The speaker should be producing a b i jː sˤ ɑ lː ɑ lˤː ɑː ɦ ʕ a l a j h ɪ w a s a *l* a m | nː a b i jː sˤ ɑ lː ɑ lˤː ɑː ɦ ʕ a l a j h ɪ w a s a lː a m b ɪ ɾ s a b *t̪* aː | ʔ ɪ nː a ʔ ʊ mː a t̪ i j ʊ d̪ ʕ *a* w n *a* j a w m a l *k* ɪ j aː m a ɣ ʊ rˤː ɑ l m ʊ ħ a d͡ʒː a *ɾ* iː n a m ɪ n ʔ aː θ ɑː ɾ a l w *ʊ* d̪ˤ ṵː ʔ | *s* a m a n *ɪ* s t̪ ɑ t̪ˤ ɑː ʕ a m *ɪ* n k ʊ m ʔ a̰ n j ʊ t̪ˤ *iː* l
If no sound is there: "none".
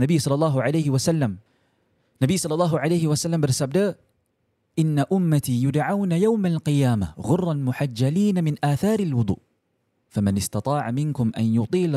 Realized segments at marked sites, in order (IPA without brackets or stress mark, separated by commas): lː, d̪, a, a, q, l, ʊ, f, ɪ, ɪ, iː